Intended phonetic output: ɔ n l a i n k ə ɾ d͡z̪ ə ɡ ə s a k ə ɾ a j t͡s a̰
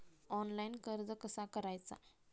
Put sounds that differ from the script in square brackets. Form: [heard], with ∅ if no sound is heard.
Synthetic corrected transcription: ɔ n l a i n k ə ɾ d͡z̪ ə [k] ə s a k ə ɾ a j t͡s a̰